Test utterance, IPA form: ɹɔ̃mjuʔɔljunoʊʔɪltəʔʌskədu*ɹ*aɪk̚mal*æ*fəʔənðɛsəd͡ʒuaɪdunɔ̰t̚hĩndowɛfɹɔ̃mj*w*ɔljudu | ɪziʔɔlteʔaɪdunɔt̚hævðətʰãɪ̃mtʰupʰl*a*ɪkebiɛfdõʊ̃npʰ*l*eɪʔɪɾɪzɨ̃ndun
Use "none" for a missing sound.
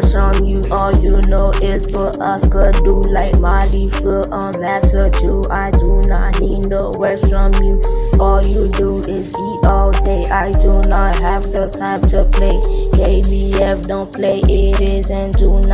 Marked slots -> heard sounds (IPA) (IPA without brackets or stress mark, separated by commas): l, i, u, e, l